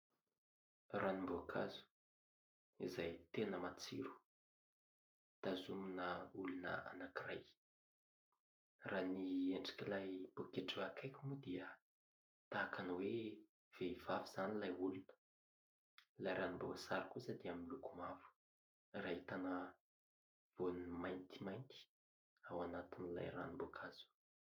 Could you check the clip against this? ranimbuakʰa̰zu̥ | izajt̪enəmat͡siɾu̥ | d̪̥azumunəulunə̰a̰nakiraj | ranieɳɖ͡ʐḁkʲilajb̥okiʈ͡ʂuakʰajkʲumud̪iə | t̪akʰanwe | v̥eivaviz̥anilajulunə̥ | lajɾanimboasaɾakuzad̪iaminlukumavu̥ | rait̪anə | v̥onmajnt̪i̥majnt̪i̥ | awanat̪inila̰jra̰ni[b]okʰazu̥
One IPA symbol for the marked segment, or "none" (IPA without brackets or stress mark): b